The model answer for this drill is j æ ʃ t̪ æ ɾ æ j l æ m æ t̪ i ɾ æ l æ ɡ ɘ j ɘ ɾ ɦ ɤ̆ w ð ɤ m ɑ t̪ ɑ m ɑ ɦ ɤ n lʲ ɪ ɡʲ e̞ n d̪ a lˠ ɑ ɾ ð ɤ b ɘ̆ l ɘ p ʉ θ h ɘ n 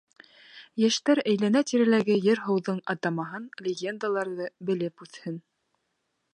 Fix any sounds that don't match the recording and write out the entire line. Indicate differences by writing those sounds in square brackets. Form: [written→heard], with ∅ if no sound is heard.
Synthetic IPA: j æ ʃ t̪ æ ɾ æ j l æ [m→n] æ t̪ i ɾ æ l æ ɡ ɘ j ɘ ɾ ɦ ɤ̆ w ð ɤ [m→ɴ] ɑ t̪ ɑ m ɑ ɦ ɤ n lʲ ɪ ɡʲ e̞ n d̪ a lˠ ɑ ɾ ð ɤ b ɘ̆ l ɘ p ʉ θ h ɘ n